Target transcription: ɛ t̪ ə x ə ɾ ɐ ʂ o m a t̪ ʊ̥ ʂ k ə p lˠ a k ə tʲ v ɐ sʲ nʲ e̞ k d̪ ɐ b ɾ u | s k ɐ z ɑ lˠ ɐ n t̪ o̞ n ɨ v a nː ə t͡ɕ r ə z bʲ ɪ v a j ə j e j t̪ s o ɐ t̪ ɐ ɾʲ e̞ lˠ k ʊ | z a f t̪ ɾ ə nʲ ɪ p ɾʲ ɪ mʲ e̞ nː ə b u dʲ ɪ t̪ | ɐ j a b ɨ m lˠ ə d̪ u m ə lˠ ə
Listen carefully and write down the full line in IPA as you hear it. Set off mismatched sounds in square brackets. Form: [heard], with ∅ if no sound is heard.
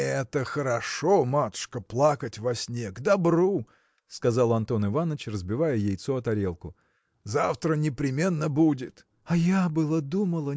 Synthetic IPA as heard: ɛ t̪ ə x ə ɾ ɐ ʂ o m a t̪ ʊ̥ ʂ k ə p lˠ a k ə tʲ v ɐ sʲ nʲ e̞ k d̪ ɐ b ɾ u | s k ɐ z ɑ lˠ ɐ n t̪ o̞ n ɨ v a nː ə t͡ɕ r ə z bʲ ɪ v a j ə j e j t̪ s o ɐ t̪ ɐ ɾʲ e̞ lˠ k ʊ | z a f t̪ ɾ ə nʲ ɪ p ɾʲ ɪ mʲ e̞ nː ə b u dʲ ɪ t̪ | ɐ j a b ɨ [∅] lˠ ə d̪ u m ə lˠ ə